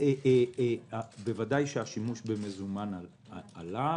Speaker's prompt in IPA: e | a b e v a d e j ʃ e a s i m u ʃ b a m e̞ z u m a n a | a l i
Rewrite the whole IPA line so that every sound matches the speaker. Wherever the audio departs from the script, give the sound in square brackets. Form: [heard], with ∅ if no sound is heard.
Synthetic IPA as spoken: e | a b e v a d [a] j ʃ e a [ʃ] i m u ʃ b [e] m e̞ z u m a n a | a l [a]